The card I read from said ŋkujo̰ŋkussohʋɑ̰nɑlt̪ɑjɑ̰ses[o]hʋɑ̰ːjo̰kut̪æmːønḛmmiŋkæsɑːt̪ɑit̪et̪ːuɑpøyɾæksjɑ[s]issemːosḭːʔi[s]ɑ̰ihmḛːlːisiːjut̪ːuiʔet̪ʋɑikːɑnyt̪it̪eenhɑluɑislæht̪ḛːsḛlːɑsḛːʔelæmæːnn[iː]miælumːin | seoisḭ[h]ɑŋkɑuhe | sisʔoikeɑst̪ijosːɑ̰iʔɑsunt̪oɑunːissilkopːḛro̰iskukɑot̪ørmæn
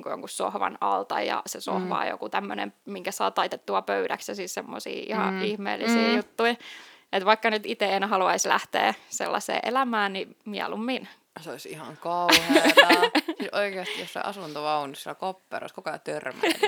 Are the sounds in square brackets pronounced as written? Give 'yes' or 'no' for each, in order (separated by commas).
yes, yes, no, no, yes